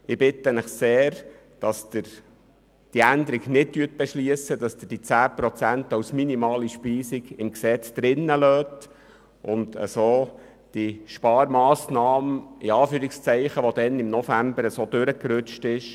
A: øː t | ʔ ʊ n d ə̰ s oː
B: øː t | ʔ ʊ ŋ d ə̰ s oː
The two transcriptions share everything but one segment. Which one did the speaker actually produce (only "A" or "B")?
A